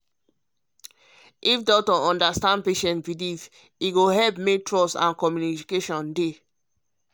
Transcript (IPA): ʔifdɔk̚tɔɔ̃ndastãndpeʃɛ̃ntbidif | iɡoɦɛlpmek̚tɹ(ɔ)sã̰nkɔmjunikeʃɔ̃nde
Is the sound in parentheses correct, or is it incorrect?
correct